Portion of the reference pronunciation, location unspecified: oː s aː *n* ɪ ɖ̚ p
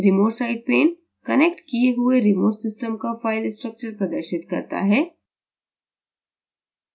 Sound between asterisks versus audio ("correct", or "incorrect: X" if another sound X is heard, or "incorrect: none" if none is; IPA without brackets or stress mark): incorrect: none